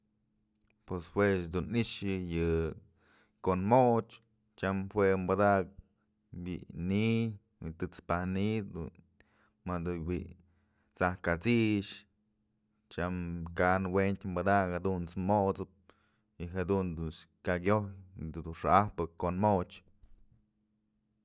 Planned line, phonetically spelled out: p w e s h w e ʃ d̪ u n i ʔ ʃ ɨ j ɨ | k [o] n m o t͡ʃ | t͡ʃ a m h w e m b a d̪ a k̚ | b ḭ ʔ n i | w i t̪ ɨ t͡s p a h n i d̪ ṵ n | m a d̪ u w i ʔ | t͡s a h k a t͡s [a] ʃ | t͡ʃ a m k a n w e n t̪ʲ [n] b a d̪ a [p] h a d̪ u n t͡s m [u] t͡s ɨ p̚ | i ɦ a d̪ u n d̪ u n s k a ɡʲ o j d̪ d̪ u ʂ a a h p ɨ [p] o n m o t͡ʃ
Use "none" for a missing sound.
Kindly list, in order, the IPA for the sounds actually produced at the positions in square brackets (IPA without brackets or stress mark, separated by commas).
o, i, m, k, o, k